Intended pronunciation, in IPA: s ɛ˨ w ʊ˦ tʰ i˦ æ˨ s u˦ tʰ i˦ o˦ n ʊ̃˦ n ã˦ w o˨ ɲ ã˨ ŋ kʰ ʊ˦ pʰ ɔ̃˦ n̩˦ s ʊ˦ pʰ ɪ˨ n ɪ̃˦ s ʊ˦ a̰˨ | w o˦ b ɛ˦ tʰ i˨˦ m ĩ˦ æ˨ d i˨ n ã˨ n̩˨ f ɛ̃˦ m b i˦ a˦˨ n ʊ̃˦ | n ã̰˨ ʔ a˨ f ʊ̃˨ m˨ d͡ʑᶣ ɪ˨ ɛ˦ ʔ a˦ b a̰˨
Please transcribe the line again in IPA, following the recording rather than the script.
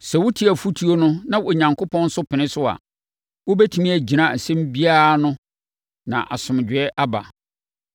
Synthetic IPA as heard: s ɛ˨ w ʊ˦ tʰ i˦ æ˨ f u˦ tʰ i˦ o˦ n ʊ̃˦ n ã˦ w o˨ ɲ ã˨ ŋ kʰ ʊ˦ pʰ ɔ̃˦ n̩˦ s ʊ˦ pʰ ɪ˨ n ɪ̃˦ s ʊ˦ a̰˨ | w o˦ b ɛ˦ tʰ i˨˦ m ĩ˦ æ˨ d͡ʑ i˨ n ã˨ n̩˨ s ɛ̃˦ m b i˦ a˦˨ n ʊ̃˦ | n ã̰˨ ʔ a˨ s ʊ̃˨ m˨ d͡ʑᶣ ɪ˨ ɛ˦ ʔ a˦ b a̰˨

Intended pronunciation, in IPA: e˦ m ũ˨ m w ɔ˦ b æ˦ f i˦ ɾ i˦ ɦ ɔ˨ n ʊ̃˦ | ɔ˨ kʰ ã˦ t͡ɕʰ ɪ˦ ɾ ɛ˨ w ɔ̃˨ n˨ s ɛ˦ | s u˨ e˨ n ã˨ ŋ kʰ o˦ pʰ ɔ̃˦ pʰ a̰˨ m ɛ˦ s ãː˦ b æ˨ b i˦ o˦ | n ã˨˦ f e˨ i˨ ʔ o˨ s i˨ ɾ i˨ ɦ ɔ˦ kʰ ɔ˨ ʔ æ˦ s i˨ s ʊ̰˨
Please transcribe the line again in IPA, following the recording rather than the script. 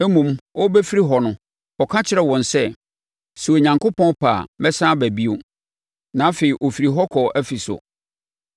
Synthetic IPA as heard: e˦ m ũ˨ m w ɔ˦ b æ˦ f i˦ ɾ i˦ ɦ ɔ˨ n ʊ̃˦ | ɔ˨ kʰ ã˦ t͡ɕʰ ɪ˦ ɾ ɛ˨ w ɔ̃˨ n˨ s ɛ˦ | s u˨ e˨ ɲ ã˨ ŋ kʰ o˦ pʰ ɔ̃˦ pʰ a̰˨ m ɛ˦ s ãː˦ b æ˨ b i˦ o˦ | n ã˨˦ f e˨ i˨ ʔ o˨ f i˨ ɾ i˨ ɦ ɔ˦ kʰ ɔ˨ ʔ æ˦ f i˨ s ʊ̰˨

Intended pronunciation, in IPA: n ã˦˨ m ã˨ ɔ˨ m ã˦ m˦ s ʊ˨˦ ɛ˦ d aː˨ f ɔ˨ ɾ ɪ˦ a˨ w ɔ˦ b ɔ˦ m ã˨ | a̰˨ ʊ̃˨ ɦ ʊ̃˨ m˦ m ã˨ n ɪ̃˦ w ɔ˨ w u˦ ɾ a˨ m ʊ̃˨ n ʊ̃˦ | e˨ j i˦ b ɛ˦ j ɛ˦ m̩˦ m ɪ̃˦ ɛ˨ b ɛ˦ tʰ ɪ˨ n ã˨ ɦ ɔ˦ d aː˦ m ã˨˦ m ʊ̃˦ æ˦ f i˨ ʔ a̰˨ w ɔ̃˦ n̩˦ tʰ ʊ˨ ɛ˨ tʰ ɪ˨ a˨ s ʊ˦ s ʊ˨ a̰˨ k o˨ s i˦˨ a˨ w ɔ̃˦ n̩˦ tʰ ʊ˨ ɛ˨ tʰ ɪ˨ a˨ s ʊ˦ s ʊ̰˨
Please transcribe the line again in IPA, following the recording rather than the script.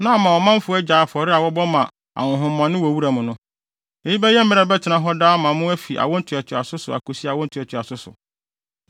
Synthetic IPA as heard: n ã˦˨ m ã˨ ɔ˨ m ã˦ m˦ f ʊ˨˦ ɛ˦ d͡ʑ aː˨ f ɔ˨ ɾ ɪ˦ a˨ w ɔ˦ b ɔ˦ m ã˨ | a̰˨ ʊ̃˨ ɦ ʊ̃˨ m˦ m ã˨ n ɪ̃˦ w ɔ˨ w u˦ ɾ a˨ m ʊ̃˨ n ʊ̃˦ | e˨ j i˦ b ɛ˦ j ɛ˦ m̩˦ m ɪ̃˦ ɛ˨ b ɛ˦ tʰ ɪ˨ n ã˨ ɦ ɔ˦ d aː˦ m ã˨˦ m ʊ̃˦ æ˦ f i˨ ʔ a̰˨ w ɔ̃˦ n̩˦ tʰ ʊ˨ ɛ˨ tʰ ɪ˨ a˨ s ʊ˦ s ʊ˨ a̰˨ k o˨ s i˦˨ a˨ w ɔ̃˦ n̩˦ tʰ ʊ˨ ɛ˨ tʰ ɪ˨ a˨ s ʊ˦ s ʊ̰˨

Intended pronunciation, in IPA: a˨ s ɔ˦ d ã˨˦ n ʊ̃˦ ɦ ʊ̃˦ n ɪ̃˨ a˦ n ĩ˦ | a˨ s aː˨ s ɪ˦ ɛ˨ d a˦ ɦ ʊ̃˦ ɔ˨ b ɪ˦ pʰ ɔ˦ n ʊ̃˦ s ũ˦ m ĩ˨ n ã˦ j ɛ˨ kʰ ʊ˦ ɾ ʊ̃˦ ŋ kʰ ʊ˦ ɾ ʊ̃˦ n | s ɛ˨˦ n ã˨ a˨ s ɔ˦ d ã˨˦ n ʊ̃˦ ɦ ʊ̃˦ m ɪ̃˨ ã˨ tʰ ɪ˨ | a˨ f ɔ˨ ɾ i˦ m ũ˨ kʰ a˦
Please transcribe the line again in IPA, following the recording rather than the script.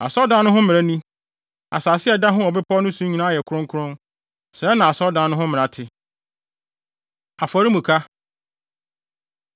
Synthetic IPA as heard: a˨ s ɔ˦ d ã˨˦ n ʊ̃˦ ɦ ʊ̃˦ m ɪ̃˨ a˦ n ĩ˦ | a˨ s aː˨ s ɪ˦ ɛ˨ d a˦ ɦ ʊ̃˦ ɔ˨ b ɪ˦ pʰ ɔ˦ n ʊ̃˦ s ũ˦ ɲ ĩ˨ n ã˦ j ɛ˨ kʰ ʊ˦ ɾ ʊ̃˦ ŋ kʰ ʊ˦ ɾ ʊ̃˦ n | s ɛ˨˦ n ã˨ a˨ s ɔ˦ d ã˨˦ n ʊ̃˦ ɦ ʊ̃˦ m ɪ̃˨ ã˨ tʰ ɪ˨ | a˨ f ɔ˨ ɾ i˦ m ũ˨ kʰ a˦

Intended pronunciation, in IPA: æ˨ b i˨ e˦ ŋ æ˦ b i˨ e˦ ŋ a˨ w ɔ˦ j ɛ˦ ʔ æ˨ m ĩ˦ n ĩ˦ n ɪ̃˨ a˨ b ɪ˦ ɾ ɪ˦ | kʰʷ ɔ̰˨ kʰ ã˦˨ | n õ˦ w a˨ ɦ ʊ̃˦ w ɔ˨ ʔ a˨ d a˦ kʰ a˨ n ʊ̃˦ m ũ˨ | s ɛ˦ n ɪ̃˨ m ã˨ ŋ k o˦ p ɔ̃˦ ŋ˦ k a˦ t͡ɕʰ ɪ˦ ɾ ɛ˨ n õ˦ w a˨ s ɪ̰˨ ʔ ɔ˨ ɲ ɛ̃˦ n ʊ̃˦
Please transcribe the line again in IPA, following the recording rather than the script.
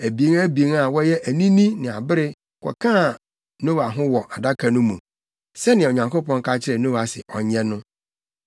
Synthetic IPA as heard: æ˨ b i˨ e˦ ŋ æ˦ b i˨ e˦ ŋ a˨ w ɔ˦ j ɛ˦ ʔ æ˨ n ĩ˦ n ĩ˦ n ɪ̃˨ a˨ b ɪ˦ ɾ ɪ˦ | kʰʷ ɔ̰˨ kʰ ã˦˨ | n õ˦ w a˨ ɦ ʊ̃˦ w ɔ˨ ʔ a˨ d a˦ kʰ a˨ n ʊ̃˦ m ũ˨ | s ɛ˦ n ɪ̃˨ ɲ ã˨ ŋ k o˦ p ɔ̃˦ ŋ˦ k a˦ t͡ɕʰ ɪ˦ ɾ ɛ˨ n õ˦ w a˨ s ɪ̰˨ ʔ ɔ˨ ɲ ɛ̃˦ n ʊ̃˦

